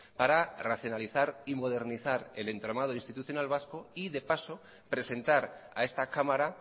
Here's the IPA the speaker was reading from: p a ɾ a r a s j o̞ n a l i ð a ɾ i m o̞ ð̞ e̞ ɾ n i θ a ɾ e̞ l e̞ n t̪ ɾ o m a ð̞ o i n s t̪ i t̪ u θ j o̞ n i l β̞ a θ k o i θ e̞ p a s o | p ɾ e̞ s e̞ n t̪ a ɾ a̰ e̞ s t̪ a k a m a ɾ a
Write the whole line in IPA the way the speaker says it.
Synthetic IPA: p a ɾ a r a θ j o̞ n a l i θ a ɾ i m o̞ ð̞ e̞ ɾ n i θ a ɾ e̞ l e̞ n t̪ ɾ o m a ð̞ o i n s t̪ i t̪ u θ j o̞ n a l β̞ a s k o i ð e̞ p a s o | p ɾ e̞ s e̞ n t̪ a ɾ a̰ e̞ s t̪ a k a m a ɾ a